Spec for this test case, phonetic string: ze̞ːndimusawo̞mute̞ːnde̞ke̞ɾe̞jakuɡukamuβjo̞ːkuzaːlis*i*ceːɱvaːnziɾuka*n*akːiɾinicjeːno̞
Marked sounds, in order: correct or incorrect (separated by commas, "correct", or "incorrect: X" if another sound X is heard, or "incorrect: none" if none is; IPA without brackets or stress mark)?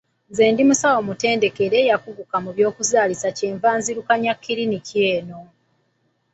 incorrect: a, incorrect: ɲ